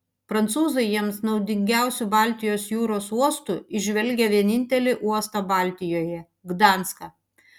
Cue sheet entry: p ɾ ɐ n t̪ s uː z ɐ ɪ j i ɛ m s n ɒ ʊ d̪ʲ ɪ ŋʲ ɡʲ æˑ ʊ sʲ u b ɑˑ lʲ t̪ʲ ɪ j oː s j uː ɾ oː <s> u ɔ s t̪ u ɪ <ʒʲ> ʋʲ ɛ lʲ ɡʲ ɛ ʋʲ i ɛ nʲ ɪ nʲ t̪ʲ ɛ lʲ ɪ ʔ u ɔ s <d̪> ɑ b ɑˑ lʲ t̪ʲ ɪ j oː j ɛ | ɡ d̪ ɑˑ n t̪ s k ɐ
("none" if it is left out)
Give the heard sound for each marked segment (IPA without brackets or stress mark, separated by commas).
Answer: s, ʒʲ, t̪